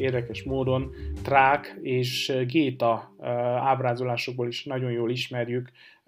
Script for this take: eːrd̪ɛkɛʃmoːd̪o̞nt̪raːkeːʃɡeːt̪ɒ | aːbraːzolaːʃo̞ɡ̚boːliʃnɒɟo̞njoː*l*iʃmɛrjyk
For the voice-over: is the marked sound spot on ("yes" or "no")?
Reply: yes